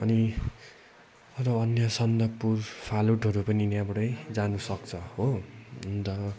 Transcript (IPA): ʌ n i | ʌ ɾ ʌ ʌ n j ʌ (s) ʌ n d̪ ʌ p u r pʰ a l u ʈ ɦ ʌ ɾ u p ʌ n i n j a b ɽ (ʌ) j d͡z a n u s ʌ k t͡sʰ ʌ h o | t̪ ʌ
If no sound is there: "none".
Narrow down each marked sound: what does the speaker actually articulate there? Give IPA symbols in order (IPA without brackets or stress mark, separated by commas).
s, ʌ